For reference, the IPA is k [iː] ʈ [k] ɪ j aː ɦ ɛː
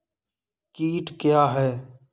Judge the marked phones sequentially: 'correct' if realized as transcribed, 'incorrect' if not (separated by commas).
correct, correct